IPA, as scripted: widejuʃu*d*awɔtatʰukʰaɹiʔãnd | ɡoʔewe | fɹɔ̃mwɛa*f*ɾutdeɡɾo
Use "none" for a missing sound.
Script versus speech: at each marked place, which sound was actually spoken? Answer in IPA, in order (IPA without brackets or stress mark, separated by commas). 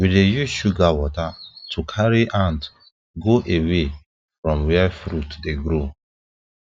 ɡ, f